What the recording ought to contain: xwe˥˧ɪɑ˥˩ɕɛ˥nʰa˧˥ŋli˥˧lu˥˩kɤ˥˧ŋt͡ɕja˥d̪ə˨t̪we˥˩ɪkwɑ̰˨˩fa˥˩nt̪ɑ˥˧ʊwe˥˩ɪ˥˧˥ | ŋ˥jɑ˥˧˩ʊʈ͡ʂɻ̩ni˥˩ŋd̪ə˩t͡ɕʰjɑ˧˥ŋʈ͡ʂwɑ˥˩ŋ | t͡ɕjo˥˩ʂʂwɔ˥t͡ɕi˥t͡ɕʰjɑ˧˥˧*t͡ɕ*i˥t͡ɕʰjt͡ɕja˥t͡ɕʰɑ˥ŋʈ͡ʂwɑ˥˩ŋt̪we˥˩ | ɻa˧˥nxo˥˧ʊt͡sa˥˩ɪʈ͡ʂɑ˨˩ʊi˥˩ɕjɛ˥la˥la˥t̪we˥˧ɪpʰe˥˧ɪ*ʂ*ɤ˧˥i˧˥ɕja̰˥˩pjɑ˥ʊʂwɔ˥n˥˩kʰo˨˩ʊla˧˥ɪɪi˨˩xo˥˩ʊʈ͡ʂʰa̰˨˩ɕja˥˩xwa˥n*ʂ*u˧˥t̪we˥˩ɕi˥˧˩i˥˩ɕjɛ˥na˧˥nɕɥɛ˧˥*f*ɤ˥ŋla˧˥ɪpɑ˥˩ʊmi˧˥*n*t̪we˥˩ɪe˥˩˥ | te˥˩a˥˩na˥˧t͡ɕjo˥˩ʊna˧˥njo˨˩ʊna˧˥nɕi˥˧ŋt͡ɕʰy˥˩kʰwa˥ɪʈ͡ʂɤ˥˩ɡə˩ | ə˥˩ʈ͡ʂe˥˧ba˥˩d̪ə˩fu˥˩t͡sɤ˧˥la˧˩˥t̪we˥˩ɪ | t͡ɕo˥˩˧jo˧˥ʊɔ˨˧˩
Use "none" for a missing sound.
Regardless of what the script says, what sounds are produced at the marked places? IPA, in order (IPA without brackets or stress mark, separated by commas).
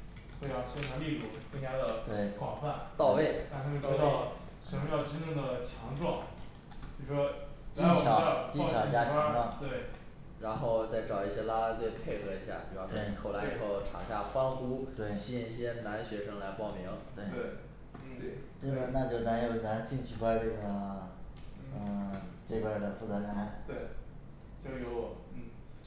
t͡ɕ, x, x, ʂ, ŋ